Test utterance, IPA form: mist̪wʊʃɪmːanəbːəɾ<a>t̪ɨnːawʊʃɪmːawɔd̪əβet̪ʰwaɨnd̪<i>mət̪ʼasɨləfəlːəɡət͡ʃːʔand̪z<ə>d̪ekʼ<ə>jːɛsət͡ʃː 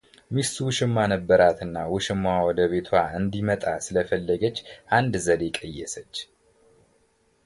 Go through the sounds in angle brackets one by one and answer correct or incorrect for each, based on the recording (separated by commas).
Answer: correct, correct, correct, correct